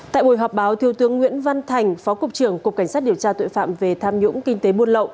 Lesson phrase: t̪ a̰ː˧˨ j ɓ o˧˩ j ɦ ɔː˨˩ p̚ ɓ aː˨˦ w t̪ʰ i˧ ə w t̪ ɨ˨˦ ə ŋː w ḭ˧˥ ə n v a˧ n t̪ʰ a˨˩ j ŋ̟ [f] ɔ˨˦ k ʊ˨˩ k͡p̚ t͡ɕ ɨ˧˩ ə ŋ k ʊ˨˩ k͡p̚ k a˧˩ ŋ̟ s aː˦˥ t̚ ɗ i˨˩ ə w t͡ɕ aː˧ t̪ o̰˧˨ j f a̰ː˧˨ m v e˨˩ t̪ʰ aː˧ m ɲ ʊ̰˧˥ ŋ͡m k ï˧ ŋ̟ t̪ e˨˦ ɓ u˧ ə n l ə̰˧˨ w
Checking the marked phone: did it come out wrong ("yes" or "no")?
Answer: no